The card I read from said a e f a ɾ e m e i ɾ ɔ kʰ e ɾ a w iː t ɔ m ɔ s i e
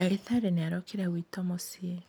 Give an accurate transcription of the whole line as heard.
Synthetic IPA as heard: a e θ a ɾ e n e a ɾ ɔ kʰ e ɾ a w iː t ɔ m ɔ s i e